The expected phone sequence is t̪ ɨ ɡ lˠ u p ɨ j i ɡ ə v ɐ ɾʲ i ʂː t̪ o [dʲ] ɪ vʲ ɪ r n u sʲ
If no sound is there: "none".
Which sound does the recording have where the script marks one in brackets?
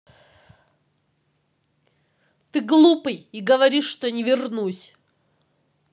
nʲ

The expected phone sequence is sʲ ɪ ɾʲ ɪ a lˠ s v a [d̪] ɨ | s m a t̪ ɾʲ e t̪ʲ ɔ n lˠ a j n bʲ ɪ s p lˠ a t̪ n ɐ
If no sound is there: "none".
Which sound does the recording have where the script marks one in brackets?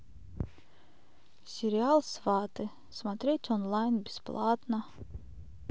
t̪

